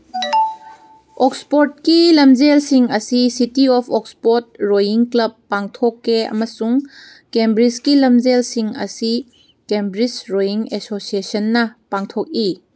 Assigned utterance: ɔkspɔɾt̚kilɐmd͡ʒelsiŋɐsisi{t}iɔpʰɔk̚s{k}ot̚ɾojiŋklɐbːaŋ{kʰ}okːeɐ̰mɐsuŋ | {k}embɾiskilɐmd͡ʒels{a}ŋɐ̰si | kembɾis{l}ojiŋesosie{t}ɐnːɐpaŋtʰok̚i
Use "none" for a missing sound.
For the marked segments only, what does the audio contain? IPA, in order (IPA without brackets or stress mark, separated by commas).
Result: t, p, tʰ, k, i, ɾ, s